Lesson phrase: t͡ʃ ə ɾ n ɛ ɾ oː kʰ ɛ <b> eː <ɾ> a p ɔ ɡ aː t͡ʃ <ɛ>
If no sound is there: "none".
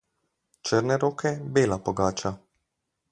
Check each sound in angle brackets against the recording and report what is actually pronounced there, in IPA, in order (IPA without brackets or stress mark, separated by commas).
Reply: b, l, a